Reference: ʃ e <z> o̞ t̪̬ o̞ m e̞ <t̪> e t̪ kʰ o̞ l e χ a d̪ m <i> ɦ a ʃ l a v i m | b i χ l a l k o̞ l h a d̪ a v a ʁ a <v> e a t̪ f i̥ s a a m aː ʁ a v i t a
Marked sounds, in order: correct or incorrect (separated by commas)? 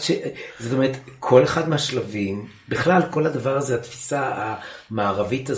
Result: correct, incorrect, incorrect, incorrect